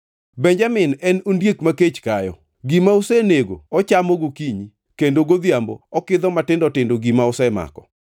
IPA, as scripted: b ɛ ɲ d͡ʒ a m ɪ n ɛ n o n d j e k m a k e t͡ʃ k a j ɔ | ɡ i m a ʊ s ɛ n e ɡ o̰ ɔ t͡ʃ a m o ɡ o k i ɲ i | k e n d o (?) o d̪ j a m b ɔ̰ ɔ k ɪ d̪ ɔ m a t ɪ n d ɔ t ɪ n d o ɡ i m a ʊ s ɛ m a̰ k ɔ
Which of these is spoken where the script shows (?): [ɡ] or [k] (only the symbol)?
ɡ